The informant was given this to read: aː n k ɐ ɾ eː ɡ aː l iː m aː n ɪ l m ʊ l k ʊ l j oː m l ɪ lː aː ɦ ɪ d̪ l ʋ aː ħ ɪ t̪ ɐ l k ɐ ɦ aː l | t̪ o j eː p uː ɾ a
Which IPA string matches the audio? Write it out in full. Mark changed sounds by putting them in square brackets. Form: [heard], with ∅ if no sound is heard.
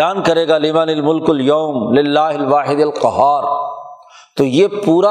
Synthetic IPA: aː n k ɐ ɾ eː ɡ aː l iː m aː n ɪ l m ʊ l k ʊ l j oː m l ɪ lː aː ɦ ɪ [∅] l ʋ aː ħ ɪ [d̪] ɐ l [q] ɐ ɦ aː [ɾ] | t̪ o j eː p uː ɾ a